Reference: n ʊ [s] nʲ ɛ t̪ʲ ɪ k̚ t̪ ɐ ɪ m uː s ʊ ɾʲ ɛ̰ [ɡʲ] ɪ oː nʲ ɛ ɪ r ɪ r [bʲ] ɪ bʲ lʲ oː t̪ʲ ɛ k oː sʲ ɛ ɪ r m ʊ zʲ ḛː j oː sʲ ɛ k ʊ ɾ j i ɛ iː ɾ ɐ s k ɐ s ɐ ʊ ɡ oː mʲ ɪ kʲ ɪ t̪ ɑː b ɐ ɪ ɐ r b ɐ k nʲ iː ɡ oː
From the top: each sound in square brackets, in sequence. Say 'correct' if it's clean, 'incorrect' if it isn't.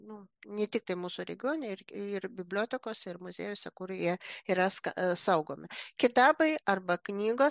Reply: incorrect, correct, correct

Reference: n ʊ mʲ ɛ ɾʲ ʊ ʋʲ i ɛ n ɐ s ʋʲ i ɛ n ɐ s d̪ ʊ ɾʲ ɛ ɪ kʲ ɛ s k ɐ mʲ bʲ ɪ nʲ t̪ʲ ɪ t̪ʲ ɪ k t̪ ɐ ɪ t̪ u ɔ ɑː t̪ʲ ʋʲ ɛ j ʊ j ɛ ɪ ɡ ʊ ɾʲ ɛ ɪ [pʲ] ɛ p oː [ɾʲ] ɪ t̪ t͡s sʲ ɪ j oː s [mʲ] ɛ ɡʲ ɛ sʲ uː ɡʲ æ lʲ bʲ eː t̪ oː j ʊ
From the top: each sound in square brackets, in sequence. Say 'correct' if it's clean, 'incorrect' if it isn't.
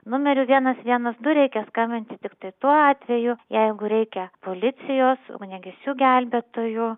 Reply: incorrect, incorrect, incorrect

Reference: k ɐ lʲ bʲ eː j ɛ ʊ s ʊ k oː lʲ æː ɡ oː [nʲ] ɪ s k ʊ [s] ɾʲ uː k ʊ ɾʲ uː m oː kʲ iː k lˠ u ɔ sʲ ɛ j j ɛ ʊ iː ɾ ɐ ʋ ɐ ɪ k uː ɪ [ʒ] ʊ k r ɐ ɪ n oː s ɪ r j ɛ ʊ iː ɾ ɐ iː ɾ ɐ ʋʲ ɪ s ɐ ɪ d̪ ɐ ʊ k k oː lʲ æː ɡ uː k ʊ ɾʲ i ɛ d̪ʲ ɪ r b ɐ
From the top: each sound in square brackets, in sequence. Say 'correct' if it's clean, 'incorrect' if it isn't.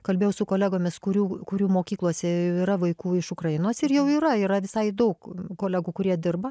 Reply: incorrect, incorrect, incorrect

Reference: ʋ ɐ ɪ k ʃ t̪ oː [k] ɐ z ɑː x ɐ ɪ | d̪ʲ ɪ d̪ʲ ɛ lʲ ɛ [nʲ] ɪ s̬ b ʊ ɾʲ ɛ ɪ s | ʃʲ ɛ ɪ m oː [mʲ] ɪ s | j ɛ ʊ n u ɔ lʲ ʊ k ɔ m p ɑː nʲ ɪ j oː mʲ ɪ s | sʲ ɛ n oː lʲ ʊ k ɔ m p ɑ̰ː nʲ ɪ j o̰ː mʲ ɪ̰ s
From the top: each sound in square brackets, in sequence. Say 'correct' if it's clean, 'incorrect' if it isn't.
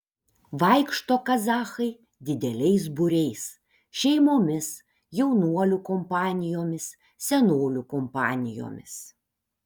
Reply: correct, incorrect, correct

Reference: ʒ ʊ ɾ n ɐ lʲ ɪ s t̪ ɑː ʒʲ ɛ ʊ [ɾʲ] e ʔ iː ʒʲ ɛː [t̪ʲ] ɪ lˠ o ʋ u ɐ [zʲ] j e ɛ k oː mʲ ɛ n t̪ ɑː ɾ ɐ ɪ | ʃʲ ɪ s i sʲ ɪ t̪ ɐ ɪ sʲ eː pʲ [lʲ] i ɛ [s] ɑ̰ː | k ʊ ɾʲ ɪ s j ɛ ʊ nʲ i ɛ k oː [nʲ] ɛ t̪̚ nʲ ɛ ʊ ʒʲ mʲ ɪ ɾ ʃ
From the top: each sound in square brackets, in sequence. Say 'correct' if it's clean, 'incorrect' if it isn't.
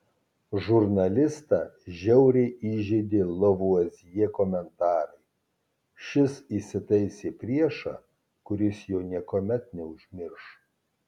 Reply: correct, incorrect, correct, incorrect, incorrect, incorrect

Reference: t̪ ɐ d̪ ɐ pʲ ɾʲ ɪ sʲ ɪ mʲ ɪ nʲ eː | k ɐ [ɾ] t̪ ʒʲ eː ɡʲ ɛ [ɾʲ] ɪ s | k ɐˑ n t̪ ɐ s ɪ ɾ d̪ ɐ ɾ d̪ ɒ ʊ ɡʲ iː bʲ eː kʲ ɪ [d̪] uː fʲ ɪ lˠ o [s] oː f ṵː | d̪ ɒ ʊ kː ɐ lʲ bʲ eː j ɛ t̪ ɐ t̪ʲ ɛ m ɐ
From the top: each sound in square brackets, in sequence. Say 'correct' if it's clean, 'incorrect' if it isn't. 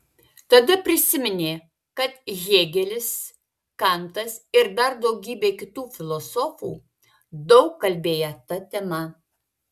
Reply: incorrect, incorrect, incorrect, correct

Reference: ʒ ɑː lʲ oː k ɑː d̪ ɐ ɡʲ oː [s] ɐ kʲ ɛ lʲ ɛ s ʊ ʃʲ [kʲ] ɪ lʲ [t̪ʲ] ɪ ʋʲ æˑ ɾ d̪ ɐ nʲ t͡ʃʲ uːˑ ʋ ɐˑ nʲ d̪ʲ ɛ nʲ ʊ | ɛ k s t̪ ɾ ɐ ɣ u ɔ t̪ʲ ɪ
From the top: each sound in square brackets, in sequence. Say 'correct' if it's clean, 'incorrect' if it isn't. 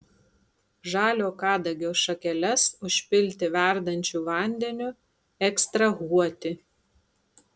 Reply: incorrect, incorrect, correct

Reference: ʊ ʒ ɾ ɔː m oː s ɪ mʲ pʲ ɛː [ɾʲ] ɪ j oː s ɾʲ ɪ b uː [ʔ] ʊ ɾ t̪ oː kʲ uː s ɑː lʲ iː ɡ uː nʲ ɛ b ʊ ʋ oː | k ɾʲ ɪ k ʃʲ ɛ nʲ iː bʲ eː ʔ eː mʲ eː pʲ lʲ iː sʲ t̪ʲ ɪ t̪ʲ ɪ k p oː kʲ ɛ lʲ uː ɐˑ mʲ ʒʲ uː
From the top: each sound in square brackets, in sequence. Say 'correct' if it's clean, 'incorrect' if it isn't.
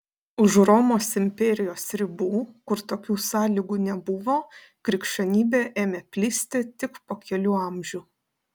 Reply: correct, incorrect

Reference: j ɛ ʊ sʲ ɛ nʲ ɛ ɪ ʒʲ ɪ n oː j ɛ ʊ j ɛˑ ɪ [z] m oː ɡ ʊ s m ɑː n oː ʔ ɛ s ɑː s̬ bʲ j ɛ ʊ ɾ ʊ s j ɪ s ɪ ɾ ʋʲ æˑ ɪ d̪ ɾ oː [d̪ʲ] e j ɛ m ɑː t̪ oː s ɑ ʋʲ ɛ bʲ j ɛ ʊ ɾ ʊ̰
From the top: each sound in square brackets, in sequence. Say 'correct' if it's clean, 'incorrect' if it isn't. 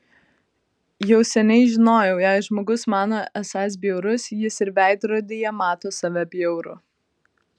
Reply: incorrect, correct

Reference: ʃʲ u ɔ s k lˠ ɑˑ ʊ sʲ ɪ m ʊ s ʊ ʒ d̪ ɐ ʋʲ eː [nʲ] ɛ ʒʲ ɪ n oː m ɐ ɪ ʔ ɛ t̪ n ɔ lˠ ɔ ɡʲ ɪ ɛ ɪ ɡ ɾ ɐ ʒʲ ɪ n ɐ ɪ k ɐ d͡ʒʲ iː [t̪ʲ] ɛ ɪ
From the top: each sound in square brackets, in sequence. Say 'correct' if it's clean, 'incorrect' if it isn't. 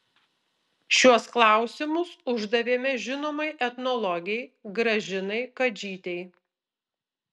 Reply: incorrect, correct

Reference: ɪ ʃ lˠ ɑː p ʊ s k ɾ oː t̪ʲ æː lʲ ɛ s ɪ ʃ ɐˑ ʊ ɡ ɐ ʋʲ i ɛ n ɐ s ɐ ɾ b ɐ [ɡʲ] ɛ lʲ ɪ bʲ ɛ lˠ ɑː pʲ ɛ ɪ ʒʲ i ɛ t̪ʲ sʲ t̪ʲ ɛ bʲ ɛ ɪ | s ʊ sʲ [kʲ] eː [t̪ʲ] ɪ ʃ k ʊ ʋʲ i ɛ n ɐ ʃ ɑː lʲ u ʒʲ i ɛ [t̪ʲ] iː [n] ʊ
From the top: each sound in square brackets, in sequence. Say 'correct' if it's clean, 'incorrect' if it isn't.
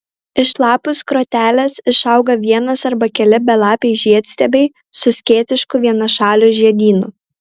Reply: incorrect, correct, correct, incorrect, correct

